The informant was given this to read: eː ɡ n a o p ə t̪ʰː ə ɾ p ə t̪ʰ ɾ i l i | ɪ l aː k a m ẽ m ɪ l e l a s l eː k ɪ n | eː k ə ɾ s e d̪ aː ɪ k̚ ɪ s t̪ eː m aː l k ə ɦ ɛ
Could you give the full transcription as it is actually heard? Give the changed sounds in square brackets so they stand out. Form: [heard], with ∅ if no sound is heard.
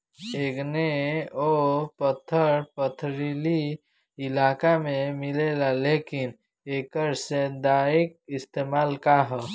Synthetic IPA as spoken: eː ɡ n [e] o p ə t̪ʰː ə ɾ p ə t̪ʰ ɾ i l i | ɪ l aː k a m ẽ m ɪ l e l a [∅] l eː k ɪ n | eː k ə ɾ s e d̪ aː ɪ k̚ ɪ s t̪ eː m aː l k [a] ɦ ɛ